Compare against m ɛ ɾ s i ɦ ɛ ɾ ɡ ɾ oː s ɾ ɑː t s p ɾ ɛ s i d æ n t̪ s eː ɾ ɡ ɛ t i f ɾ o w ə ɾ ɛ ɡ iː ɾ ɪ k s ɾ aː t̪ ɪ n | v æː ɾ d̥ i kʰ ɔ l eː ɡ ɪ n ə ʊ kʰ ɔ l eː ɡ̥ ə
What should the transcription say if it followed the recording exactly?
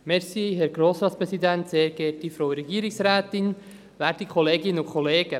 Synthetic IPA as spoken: m ɛ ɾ s i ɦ ɛ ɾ ɡ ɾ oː s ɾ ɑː t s p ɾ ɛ s i d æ n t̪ s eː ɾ ɡ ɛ t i f ɾ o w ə ɾ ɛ ɡ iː ɾ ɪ k s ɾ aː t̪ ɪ n | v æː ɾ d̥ i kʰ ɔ l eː ɡ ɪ n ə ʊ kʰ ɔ l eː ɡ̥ ə